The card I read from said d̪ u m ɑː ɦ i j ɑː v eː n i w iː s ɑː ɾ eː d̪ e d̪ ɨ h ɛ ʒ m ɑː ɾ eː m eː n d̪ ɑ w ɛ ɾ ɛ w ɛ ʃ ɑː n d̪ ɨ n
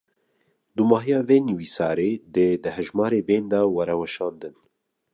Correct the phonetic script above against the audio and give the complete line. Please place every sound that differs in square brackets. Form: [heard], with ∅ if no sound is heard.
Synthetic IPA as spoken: d̪ u m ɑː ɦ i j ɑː v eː n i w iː s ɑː ɾ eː d̪ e d̪ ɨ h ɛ ʒ m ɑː ɾ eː [b] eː n d̪ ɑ w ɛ ɾ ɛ w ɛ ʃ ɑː n d̪ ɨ n